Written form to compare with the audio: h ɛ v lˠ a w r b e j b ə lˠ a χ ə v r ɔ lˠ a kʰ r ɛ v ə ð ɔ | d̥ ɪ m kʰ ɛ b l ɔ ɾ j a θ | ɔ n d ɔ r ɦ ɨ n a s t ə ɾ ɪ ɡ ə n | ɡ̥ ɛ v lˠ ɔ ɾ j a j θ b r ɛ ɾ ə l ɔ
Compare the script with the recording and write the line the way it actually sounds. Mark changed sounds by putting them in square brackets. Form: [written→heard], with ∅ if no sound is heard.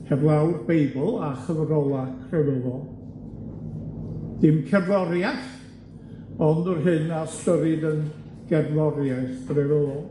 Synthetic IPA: h ɛ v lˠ a w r b e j b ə lˠ a χ ə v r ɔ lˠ a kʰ r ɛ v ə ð ɔ | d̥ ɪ m kʰ ɛ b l ɔ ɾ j a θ | ɔ n d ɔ r ɦ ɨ n a s t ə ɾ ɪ [ɡ→d] ə n | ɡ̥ ɛ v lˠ ɔ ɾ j a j θ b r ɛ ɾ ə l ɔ